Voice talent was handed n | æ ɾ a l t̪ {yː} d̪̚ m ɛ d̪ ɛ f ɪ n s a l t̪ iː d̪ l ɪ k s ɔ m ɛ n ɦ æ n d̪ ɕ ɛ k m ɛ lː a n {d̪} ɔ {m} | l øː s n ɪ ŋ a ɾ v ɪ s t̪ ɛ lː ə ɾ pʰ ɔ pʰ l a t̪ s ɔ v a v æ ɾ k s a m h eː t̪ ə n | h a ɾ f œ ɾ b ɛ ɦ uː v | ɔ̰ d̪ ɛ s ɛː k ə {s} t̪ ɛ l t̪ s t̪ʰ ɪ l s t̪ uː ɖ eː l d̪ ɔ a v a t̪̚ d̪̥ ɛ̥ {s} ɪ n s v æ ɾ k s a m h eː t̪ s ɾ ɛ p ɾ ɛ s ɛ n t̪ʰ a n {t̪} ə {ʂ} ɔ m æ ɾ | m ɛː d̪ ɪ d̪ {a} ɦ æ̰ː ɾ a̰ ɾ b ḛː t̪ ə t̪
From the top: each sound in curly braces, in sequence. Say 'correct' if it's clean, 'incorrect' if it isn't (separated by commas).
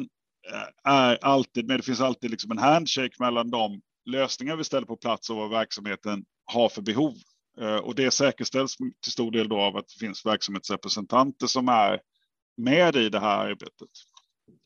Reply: incorrect, correct, correct, incorrect, incorrect, correct, correct, incorrect